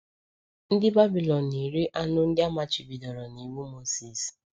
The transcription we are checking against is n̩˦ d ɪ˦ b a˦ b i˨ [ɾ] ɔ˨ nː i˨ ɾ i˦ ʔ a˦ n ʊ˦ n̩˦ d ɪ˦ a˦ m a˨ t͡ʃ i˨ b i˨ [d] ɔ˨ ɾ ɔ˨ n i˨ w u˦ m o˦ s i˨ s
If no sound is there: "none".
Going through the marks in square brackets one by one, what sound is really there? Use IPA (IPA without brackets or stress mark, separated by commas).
l, d